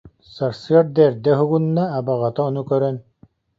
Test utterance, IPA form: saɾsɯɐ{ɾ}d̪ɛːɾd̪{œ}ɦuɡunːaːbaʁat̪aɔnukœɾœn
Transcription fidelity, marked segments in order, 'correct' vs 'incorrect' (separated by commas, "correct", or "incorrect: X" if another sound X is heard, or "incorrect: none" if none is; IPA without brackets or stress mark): correct, incorrect: ɛ